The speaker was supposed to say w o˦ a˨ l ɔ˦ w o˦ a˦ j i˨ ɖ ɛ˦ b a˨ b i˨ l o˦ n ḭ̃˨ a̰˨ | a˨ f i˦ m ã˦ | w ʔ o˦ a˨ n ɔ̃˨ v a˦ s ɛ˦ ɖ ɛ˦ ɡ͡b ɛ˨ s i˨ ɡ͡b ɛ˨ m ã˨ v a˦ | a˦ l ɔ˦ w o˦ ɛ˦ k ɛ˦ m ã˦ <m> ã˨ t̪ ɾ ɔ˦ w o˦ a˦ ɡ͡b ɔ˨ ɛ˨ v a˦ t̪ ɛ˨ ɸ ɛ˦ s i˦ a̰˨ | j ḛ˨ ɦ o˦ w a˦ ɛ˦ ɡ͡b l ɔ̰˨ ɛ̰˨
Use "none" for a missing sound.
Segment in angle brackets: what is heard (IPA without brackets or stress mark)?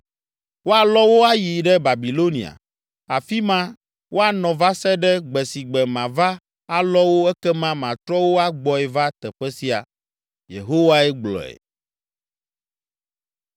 m